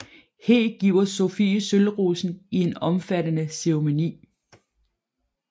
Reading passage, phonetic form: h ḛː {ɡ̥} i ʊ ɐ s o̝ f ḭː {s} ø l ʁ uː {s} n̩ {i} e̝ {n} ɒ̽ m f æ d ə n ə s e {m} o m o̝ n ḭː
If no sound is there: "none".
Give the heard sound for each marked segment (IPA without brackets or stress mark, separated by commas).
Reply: ɡ̥, s, s, i, n, none